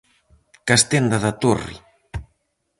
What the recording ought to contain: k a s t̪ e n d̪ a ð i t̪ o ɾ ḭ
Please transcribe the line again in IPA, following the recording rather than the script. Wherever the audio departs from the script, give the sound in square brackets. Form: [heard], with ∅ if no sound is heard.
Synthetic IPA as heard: k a s t̪ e n d̪ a ð [a] t̪ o [r] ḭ